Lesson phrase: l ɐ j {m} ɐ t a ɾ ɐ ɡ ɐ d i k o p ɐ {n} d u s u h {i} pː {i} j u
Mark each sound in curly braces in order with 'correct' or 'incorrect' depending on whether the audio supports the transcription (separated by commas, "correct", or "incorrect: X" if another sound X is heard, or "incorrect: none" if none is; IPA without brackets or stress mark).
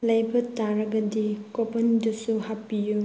incorrect: b, correct, incorrect: a, correct